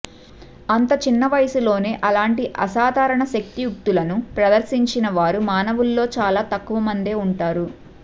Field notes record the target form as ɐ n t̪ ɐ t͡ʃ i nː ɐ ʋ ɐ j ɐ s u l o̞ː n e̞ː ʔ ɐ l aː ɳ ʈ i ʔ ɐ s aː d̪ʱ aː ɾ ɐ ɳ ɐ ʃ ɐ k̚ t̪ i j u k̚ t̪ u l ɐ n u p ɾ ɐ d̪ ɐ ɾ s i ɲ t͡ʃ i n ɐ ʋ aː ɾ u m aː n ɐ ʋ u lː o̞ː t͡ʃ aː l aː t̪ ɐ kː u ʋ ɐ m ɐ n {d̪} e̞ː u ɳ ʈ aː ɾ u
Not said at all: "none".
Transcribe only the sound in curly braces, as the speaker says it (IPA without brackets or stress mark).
d̪